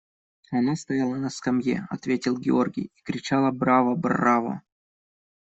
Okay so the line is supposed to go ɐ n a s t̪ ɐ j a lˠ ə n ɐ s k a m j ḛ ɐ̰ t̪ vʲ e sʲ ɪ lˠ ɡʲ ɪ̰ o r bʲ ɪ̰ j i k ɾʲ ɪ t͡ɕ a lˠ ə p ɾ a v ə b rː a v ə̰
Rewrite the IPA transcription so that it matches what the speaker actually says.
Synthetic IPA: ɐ n a s t̪ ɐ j a lˠ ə n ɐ s k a m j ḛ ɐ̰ t̪ vʲ e tʲ ɪ lˠ ɡʲ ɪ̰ o r ɡʲ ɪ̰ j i k ɾʲ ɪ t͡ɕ a lˠ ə b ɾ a v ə b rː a v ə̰

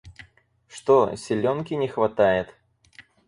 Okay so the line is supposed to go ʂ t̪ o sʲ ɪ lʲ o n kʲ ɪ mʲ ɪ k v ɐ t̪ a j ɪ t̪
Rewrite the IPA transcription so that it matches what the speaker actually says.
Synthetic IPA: ʂ t̪ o sʲ ɪ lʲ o n kʲ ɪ nʲ ɪ x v ɐ t̪ a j ɪ t̪

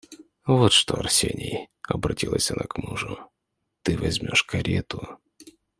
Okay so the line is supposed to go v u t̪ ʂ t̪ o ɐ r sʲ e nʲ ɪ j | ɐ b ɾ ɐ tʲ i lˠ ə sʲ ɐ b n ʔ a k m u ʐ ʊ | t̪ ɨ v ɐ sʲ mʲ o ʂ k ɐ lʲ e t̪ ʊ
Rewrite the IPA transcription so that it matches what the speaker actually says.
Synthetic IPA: v o t̪ ʂ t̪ o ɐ r sʲ e nʲ ɪ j | ɐ b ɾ ɐ tʲ i lˠ ə sʲ ɐ n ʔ a k m u ʐ ʊ | t̪ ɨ v ɐ zʲ mʲ o ʂ k ɐ ɾʲ e t̪ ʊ

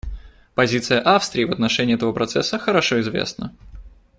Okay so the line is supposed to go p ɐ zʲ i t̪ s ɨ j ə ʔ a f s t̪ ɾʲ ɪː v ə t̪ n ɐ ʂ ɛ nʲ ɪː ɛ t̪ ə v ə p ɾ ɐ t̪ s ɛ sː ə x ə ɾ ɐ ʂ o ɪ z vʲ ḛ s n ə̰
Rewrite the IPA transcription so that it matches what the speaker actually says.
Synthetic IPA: p ɐ zʲ i t̪ s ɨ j ə ʔ a f s t̪ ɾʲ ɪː v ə t̪ n ɐ ʂ ɛ nʲ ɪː ɛ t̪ ə v ə p ɾ ɐ t̪ s ɛ sː ə x ə ɾ ɐ ʂ o ɪ z vʲ ḛ s n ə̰

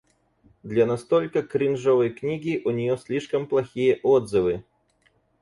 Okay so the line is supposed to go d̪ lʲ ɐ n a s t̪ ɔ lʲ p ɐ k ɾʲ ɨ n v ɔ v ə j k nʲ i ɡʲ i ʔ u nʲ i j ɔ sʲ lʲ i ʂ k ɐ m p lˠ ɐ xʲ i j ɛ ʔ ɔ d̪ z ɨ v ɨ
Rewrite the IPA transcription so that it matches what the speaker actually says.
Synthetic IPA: d̪ lʲ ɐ n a s t̪ ɔ lʲ k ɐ k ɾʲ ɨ n ʐ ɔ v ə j k nʲ i ɡʲ i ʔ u nʲ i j ɔ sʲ lʲ i ʂ k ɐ m p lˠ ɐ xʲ i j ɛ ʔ ɔ d̪ z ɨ v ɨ

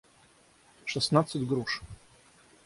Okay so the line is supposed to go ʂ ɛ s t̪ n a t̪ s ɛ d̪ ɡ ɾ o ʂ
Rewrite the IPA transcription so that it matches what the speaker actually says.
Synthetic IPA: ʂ ɛ s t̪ n a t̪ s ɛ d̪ ɡ ɾ u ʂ

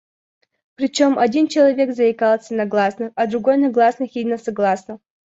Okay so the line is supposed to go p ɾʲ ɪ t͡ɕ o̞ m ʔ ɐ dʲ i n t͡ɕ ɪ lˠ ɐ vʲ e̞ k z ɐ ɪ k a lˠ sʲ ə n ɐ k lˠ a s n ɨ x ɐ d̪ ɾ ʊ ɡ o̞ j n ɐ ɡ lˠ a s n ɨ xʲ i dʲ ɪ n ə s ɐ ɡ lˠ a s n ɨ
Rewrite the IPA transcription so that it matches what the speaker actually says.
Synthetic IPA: p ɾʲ ɪ t͡ɕ o̞ m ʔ ɐ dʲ i n t͡ɕ ɪ lˠ ɐ vʲ e̞ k z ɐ ɪ k a lˠ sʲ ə n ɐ ɡ lˠ a s n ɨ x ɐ d̪ ɾ ʊ ɡ o̞ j n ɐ ɡ lˠ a s n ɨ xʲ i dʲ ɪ n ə s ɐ ɡ lˠ a s n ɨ

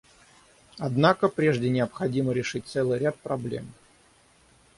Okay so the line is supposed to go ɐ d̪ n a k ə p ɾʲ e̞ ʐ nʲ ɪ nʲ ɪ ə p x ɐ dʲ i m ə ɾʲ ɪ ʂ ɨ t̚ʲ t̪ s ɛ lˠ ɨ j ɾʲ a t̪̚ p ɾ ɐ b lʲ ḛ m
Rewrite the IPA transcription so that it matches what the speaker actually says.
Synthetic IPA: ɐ d̪ n a k ə p ɾʲ e̞ ʐ dʲ ɪ nʲ ɪ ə p x ɐ dʲ i m ə ɾʲ ɪ ʂ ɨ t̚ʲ t̪ s ɛ lˠ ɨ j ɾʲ a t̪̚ p ɾ ɐ b lʲ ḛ m

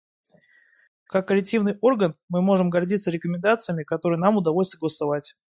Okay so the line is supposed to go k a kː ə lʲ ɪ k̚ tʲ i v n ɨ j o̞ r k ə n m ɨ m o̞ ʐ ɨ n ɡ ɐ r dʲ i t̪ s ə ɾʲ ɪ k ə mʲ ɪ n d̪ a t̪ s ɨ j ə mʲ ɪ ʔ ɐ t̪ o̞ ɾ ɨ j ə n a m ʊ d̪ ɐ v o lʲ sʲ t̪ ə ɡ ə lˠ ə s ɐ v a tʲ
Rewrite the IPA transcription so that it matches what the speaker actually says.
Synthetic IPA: k a kː ə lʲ ɪ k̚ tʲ i v n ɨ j o̞ r ɡ ə n m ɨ m o̞ ʐ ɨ m ɡ ɐ r dʲ i t̪ s ə ɾʲ ɪ k ə mʲ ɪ n d̪ a t̪ s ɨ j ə mʲ ɪ k ɐ t̪ o̞ ɾ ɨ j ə n a m ʊ d̪ ɐ v o lʲ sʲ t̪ ə ɡ ə lˠ ə s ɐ v a tʲ

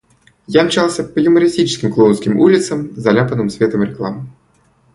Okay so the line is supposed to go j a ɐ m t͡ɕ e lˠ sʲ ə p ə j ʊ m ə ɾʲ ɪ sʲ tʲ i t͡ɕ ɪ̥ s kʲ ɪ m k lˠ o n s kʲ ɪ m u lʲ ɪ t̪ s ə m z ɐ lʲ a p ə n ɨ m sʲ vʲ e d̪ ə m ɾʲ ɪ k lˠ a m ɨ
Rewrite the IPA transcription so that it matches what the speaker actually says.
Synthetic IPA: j a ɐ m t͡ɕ a lˠ sʲ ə p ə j ʊ m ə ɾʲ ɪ sʲ tʲ i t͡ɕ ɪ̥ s kʲ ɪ m k lˠ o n s kʲ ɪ m u lʲ ɪ t̪ s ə m z ɐ lʲ a p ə n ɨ m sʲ vʲ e t̪ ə m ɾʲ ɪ k lˠ a m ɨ

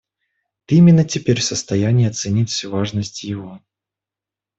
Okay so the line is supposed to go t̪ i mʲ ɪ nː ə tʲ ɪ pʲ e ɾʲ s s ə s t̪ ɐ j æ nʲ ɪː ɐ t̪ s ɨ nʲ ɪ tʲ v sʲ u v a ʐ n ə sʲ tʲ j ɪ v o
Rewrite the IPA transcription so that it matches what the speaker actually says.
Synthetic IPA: t̪ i mʲ ɪ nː ə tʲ ɪ pʲ e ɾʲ f s ə s t̪ ɐ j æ nʲ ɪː ɐ t̪ s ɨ nʲ i tʲ f sʲ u v a ʐ n ə sʲ tʲ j ɪ v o

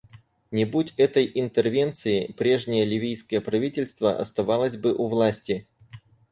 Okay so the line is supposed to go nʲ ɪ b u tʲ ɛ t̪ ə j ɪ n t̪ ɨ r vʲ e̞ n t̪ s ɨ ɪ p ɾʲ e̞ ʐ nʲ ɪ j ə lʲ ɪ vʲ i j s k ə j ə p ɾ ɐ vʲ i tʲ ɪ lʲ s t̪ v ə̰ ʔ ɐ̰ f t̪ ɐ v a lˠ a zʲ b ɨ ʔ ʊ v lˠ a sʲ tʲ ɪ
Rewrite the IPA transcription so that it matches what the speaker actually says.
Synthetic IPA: nʲ ɪ b u tʲ ɛ t̪ ə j ɪ n t̪ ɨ r vʲ e̞ n t̪ s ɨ ɪ p ɾʲ e̞ ʐ nʲ ɪ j ə lʲ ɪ vʲ i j s k ə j ə p ɾ ɐ vʲ i tʲ ɪ lʲ s t̪ v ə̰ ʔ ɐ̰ s t̪ ɐ v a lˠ ə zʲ b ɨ ʔ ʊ v lˠ a sʲ tʲ ɪ

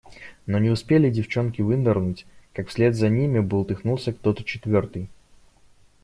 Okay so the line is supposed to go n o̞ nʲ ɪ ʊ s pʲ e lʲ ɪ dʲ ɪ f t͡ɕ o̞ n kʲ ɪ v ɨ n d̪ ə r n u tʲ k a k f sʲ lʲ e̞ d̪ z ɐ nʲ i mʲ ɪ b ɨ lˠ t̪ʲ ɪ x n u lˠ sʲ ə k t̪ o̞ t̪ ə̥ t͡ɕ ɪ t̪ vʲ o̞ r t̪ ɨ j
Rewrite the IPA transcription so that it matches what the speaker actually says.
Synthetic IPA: n o̞ nʲ ɪ ʊ s pʲ e lʲ ɪ dʲ ɪ f t͡ɕ o̞ n kʲ ɪ v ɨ n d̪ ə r n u tʲ k a k f sʲ lʲ e̞ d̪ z ɐ nʲ i mʲ ɪ b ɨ lˠ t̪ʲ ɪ x n u lˠ sʲ ə k t̪ o̞ t̪ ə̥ t͡ɕ ɪ t̪ vʲ o̞ r t̪ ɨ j

